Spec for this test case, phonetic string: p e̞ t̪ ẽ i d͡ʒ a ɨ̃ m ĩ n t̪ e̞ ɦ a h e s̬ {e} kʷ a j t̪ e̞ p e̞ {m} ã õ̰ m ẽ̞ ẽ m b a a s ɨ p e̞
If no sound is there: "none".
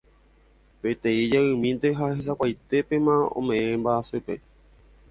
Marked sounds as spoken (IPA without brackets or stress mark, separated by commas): a, m